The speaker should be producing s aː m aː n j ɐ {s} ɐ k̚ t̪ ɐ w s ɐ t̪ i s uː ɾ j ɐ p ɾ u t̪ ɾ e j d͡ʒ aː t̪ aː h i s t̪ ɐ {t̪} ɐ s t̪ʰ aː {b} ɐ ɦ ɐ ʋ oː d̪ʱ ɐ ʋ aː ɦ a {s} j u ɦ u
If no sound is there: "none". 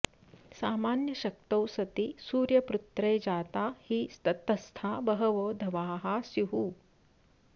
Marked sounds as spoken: ʃ, t̪, b, s

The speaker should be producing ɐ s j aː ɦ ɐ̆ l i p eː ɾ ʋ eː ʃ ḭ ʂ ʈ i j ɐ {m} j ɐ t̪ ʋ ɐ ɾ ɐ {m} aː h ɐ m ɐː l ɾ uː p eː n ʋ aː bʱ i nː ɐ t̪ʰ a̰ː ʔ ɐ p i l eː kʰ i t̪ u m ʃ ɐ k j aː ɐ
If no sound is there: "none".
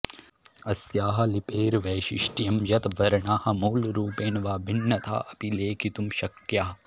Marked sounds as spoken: m, ɳ

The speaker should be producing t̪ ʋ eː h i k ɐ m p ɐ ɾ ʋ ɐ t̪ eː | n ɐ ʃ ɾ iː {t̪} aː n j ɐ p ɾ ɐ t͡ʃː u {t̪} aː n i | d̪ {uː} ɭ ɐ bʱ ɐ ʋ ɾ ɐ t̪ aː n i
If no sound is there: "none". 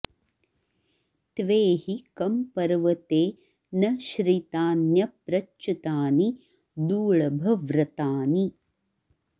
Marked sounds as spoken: t̪, t̪, uː

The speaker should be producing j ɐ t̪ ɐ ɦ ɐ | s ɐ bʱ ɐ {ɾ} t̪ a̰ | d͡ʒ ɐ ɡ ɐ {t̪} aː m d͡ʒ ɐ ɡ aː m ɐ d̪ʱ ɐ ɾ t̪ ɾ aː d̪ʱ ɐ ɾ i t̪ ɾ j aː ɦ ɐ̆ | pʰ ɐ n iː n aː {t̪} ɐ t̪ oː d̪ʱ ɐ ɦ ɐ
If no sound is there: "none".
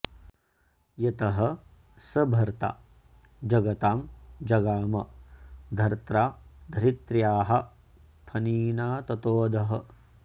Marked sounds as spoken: ɾ, t̪, t̪

